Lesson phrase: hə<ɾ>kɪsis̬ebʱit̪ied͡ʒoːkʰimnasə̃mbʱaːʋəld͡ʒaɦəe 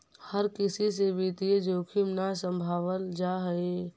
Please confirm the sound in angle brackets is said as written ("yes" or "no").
yes